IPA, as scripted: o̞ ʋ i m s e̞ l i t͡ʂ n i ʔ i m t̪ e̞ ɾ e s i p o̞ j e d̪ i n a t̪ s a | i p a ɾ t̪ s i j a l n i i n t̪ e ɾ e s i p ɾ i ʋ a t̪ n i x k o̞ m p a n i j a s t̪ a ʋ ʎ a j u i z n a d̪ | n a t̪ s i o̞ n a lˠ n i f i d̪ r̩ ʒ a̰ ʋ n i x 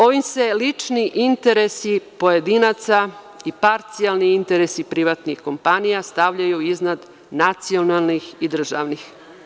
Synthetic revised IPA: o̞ ʋ i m s e̞ l i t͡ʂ n i ʔ i n t̪ e̞ ɾ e s i p o̞ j e d̪ i n a t̪ s a | i p a ɾ t̪ s i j a l n i i n t̪ e ɾ e s i p ɾ i ʋ a t̪ n i x k o̞ m p a n i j a s t̪ a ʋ ʎ a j u i z n a d̪ | n a t̪ s i o̞ n a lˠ n i x i d̪ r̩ ʒ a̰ ʋ n i x